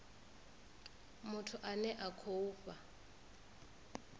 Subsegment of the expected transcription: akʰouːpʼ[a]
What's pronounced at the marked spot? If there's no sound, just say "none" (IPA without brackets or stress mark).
a